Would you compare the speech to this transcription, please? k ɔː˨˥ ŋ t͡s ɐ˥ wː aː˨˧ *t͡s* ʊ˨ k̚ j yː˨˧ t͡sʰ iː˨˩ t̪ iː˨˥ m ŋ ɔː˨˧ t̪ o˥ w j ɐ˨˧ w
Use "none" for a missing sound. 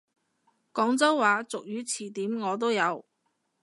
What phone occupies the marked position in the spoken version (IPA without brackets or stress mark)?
t͡s